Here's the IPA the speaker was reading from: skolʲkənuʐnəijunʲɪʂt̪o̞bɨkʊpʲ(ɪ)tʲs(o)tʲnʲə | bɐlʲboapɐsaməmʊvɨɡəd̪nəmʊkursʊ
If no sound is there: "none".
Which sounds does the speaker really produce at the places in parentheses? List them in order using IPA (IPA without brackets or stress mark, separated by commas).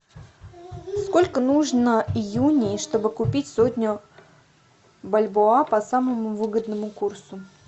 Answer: i, o